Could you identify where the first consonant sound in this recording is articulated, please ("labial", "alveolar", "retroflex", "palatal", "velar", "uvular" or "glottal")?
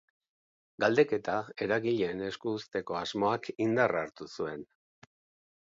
velar